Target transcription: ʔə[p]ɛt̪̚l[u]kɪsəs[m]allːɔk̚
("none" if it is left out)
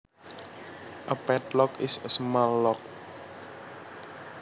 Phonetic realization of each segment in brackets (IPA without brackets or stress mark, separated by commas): p, ɔ, m